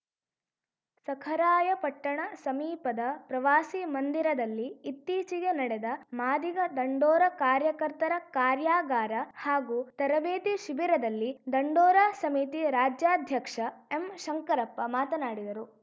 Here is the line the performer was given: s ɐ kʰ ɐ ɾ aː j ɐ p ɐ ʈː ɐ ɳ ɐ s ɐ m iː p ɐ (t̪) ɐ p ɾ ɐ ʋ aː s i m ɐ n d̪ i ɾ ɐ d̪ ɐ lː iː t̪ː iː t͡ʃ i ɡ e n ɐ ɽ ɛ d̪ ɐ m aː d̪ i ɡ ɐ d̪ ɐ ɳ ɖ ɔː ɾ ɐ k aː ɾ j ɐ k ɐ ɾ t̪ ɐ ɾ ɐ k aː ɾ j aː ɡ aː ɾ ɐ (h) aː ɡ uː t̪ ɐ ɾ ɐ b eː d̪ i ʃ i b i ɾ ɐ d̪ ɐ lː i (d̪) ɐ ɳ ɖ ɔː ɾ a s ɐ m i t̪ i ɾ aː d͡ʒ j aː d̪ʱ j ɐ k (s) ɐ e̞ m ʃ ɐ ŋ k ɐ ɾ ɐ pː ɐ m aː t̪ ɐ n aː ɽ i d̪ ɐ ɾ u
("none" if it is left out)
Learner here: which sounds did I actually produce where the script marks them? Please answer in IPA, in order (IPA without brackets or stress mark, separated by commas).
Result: d̪, h, d̪, ʂ